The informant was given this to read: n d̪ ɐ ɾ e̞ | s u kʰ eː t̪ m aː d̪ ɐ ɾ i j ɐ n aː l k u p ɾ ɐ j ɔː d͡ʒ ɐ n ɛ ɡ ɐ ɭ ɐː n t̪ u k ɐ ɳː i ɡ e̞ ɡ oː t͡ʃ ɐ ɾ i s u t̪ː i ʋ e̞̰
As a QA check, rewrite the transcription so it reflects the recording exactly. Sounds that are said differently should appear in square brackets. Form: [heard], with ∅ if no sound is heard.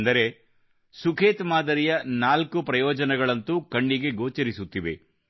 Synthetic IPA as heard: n d̪ ɐ ɾ e̞ | s u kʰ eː t̪ m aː d̪ ɐ ɾ i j ɐ n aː l k u p ɾ ɐ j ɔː d͡ʒ ɐ n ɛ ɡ ɐ ɭ [ɐ] n t̪ u k ɐ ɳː i ɡ e̞ ɡ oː t͡ʃ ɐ ɾ i s u t̪ː i ʋ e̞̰

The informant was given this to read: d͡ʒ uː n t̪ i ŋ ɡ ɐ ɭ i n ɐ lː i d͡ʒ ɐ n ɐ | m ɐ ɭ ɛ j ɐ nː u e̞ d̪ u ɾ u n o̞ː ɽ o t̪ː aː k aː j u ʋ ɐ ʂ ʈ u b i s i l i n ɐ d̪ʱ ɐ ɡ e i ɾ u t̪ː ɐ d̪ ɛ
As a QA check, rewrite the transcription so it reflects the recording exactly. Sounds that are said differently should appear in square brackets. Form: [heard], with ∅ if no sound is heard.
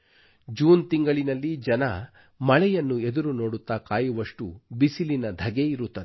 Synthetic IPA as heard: d͡ʒ uː n t̪ i ŋ ɡ ɐ ɭ i n ɐ lː i d͡ʒ ɐ n ɐ | m ɐ ɭ ɛ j ɐ nː u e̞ d̪ u ɾ u n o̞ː ɽ [u] t̪ː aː k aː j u ʋ ɐ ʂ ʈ u b i s i l i n ɐ d̪ʱ ɐ ɡ e i ɾ u t̪ː ɐ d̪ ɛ

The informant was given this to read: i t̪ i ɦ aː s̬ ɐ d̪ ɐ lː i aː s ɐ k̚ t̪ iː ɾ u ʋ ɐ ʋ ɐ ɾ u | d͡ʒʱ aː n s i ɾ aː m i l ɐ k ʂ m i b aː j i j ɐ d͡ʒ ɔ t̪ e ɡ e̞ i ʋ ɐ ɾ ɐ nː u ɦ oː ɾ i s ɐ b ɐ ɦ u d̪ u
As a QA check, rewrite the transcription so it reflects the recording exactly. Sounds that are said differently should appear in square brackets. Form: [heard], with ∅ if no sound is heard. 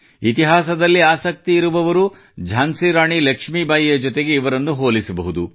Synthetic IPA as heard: i t̪ i ɦ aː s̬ ɐ d̪ ɐ lː i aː s ɐ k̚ t̪ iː ɾ u ʋ ɐ ʋ ɐ ɾ u | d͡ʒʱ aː n s i ɾ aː [ɳ] i l ɐ k ʂ m i b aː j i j ɐ d͡ʒ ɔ t̪ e ɡ e̞ i ʋ ɐ ɾ ɐ nː u ɦ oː [l] i s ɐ b ɐ ɦ u d̪ u

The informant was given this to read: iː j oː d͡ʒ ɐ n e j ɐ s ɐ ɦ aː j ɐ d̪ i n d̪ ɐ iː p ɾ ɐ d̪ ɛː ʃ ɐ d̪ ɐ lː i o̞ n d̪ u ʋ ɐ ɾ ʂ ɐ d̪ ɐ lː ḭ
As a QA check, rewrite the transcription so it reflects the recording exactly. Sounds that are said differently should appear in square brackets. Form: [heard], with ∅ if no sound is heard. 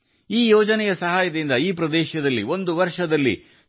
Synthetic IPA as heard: iː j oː d͡ʒ ɐ n [ɛ] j ɐ s ɐ ɦ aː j ɐ d̪ i n d̪ ɐ iː p ɾ ɐ d̪ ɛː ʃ ɐ d̪ ɐ lː i o̞ n d̪ u ʋ ɐ ɾ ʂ ɐ d̪ ɐ lː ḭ

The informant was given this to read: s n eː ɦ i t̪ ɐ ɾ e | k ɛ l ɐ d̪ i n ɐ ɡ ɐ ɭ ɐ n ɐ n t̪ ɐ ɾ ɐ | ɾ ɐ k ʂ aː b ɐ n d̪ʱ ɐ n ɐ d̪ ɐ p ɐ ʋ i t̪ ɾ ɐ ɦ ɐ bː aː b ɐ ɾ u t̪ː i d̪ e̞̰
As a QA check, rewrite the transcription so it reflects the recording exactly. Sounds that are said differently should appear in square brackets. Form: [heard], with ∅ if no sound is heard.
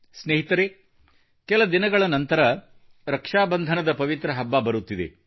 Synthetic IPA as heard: s n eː ɦ i t̪ ɐ ɾ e | k ɛ l ɐ d̪ i n ɐ ɡ ɐ ɭ ɐ n ɐ n t̪ ɐ ɾ ɐ | ɾ ɐ k ʂ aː b ɐ n d̪ʱ ɐ n ɐ d̪ ɐ p ɐ ʋ i t̪ ɾ ɐ ɦ ɐ bː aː b ɐ ɾ u t̪ː i d̪ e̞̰

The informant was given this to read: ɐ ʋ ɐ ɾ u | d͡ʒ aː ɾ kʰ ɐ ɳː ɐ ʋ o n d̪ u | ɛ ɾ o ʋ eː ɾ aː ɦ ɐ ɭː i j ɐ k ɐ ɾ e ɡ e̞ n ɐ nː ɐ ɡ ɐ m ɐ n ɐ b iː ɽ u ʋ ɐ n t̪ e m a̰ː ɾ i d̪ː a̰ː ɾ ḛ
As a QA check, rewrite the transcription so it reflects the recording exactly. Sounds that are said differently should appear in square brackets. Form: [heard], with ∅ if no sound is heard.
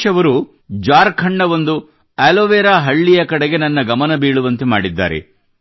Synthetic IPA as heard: ɐ ʋ ɐ ɾ u | d͡ʒ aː ɾ kʰ ɐ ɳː ɐ ʋ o n d̪ u | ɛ [l] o ʋ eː ɾ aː ɦ ɐ ɭː i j ɐ k ɐ [ɽ] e ɡ e̞ n ɐ nː ɐ ɡ ɐ m ɐ n ɐ b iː [ɭ] u ʋ ɐ n t̪ e m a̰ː [ɽ] i d̪ː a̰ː ɾ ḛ

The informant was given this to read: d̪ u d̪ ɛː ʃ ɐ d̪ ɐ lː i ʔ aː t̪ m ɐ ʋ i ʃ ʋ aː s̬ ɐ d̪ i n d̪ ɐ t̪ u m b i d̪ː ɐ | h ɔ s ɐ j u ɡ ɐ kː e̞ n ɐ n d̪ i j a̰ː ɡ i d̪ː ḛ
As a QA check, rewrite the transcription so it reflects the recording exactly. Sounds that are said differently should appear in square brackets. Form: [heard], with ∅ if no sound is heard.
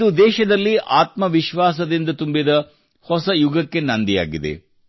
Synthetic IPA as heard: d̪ u d̪ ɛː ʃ ɐ d̪ ɐ lː i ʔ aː t̪ m ɐ ʋ i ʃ ʋ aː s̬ ɐ d̪ i n d̪ ɐ t̪ u m b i [d̪] ɐ | h ɔ s ɐ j u ɡ ɐ kː e̞ n ɐ n d̪ i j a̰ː ɡ i [d̪] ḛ

